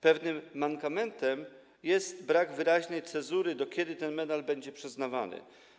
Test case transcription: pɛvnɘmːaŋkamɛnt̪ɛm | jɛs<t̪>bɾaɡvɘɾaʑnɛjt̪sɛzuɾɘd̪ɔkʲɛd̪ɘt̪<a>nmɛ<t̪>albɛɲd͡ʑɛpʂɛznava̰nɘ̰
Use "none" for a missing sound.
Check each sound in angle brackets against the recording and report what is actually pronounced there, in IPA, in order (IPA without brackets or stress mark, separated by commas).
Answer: t̪, ɛ, d̪